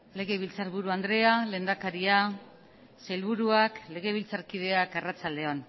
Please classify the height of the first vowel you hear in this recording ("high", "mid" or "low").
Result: mid